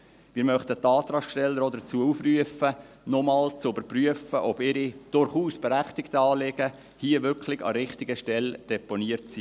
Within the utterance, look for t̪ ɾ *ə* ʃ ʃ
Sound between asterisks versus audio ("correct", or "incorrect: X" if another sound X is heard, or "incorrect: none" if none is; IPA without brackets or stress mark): incorrect: ɑ